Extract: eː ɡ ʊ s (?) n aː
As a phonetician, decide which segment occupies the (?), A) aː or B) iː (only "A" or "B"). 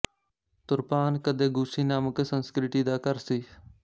B